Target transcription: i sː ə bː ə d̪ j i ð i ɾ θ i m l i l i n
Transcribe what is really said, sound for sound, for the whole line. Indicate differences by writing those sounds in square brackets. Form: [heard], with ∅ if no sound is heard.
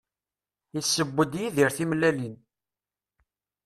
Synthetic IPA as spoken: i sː ə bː ə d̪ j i ð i ɾ θ i m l [æ] l i n